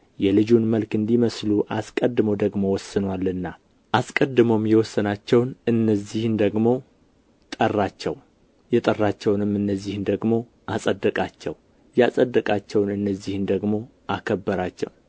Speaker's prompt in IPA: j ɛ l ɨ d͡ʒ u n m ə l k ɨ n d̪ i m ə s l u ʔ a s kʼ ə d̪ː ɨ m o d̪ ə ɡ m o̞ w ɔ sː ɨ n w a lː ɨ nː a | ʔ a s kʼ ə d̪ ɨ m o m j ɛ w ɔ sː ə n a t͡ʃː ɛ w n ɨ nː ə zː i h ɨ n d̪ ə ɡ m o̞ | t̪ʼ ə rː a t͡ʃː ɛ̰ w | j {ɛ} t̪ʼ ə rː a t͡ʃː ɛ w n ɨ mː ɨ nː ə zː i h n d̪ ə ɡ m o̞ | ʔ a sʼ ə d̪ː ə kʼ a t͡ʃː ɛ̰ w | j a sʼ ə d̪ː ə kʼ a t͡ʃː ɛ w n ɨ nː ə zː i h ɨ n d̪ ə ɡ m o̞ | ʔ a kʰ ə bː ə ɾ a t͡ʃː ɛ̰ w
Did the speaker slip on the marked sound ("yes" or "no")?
no